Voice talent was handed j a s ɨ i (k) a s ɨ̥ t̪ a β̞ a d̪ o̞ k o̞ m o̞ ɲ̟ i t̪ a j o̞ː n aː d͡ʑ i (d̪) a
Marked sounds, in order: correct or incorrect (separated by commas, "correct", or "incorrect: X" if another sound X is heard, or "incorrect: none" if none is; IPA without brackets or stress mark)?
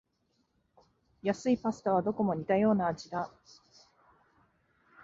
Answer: incorrect: p, correct